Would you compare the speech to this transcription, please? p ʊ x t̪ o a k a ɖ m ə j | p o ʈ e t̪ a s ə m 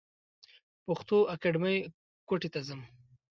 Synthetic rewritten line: p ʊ x t̪ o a k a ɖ m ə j | k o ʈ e t̪ a z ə m